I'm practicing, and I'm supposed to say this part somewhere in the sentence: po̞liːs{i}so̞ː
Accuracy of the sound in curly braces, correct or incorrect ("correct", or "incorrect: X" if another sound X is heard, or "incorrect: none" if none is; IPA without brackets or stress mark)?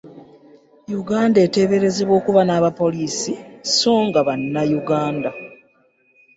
correct